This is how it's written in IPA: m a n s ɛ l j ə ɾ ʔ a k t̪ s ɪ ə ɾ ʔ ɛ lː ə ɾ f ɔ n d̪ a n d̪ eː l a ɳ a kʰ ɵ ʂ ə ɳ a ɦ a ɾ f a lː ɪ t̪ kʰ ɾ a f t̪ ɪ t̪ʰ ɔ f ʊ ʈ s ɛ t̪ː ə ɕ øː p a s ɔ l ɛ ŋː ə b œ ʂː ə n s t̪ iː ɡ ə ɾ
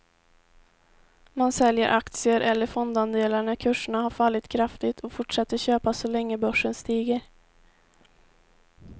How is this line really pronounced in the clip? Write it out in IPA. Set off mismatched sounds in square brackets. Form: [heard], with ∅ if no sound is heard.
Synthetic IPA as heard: m a n s ɛ l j ə ɾ ʔ a k t̪ s ɪ ə ɾ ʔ ɛ lː ə ɾ f ɔ n d̪ a n d̪ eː l a ɳ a kʰ ɵ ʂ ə ɳ a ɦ a ɾ f a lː ɪ t̪ kʰ ɾ a f t̪ ɪ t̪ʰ ɔ f ʊ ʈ [ʂ] ɛ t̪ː ə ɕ øː p a s ɔ l ɛ ŋː ə b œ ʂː ə n s t̪ iː ɡ ə ɾ